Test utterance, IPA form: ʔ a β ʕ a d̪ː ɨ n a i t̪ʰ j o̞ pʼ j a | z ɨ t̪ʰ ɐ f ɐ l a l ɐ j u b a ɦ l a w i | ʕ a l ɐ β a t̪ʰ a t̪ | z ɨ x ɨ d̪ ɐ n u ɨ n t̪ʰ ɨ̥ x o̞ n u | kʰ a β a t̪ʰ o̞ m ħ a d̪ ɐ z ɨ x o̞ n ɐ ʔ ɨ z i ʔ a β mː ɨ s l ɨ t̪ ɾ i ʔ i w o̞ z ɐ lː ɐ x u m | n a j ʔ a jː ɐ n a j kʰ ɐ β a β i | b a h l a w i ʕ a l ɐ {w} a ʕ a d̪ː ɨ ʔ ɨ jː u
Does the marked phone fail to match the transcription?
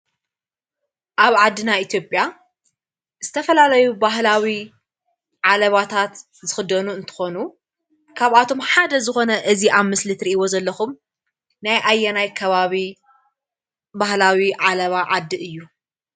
yes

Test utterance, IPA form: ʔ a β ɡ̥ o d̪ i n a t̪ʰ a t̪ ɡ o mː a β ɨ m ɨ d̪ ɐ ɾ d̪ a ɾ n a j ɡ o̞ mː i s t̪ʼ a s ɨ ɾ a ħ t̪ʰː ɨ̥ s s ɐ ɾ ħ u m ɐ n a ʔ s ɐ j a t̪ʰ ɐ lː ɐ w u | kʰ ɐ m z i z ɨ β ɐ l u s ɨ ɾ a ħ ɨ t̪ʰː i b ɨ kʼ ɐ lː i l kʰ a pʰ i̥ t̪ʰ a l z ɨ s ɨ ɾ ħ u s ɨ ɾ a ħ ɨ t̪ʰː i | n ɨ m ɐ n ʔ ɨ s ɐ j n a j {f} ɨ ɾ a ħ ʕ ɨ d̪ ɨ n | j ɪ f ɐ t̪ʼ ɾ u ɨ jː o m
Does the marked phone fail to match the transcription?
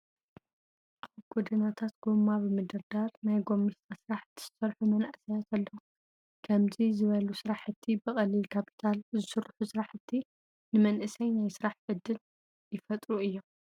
yes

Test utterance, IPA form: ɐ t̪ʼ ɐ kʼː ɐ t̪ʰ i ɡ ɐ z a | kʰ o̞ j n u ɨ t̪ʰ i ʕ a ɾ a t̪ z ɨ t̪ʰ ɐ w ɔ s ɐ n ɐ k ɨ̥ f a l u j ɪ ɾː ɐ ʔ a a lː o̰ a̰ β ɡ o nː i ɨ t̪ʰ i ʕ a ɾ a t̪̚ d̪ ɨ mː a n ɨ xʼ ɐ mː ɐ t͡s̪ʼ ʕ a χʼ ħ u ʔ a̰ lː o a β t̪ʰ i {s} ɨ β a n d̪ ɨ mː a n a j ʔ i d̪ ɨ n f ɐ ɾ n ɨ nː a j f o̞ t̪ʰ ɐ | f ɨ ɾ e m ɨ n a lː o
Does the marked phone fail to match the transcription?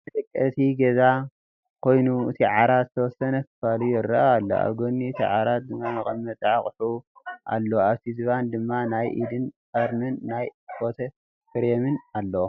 yes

